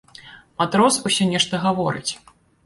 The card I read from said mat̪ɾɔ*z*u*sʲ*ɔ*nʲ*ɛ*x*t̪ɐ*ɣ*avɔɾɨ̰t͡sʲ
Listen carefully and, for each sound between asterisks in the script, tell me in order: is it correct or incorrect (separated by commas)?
incorrect, correct, correct, incorrect, correct